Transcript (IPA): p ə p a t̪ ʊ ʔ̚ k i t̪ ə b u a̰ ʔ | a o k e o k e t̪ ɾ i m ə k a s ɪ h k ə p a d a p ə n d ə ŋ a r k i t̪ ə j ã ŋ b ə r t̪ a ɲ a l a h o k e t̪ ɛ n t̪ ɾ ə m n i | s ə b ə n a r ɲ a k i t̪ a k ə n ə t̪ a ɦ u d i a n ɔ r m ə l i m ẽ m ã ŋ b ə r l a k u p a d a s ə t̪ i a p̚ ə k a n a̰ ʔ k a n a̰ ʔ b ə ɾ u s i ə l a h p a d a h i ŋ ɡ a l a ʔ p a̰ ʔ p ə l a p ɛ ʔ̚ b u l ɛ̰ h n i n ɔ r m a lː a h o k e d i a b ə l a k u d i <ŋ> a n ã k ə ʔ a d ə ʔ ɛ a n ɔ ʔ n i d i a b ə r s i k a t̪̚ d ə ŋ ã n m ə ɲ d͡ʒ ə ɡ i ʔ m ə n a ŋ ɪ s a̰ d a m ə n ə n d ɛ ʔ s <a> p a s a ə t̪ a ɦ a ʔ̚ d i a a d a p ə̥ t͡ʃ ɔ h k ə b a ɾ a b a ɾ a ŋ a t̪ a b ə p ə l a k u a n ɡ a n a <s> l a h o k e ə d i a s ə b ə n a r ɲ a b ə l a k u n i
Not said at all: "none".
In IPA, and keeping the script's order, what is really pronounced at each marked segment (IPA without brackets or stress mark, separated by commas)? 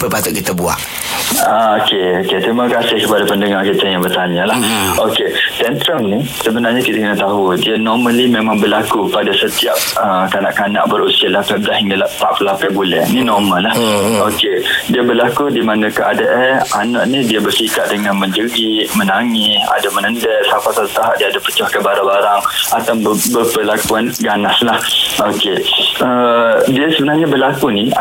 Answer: m, a, s